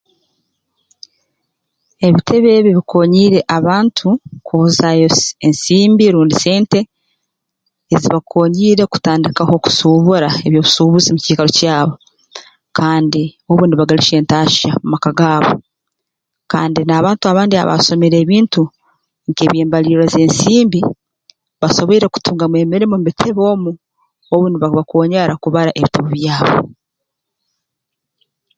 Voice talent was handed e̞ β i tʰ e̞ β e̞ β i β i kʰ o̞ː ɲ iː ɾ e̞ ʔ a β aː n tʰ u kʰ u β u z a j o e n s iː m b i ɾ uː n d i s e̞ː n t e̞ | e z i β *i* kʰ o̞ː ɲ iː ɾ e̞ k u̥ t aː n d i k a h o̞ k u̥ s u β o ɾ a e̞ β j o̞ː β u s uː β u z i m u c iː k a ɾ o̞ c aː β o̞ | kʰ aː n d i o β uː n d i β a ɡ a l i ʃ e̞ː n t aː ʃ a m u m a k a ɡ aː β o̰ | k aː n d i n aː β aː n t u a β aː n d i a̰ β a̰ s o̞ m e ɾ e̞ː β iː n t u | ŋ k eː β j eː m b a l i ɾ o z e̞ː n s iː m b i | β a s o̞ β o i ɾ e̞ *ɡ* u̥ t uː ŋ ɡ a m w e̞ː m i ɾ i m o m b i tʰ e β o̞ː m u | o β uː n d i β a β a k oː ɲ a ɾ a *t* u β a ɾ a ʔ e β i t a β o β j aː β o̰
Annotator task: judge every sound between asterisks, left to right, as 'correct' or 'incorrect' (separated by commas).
incorrect, incorrect, incorrect